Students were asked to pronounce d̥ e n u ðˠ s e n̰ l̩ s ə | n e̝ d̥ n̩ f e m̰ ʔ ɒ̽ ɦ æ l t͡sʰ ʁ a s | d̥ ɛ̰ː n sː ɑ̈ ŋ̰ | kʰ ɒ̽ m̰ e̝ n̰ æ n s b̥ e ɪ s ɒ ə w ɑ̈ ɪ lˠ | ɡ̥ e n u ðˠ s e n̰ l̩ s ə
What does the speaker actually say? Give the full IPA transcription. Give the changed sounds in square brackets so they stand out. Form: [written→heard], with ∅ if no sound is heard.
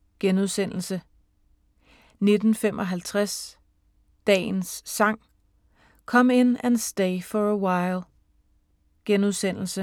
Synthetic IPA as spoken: [d̥→ɡ̥] e n u ðˠ s e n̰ l̩ s ə | n e̝ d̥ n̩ f e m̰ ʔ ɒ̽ ɦ æ l t͡sʰ ʁ a s | d̥ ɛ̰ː n sː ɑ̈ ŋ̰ | kʰ ɒ̽ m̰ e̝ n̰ æ n s [b̥→d̥] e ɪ [s→f] ɒ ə w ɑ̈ ɪ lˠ | ɡ̥ e n u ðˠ s e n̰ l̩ s ə